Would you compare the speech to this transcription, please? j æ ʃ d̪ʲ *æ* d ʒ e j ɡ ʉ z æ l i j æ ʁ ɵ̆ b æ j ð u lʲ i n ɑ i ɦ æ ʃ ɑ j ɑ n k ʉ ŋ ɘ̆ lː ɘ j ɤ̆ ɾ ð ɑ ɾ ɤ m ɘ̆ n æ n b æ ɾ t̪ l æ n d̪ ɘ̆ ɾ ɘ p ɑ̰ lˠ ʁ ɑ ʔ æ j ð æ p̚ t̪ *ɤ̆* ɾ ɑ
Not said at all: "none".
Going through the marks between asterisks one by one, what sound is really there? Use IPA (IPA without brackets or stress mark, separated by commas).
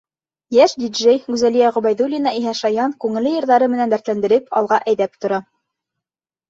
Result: i, ŏ